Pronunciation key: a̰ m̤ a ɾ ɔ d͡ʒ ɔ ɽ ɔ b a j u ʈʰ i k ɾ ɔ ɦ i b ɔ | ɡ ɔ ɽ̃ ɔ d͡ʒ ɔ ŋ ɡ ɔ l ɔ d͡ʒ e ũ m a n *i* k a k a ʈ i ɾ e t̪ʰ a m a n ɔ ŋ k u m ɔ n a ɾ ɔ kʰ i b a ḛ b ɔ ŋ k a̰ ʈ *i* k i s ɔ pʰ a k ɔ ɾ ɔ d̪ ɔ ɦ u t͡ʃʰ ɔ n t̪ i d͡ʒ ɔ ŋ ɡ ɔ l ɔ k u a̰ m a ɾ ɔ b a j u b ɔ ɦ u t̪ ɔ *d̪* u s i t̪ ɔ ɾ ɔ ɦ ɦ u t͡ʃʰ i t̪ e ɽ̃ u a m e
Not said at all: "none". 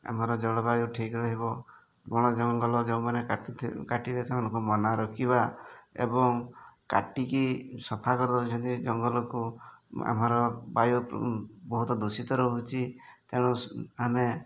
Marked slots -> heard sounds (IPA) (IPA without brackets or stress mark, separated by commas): e, i, d̪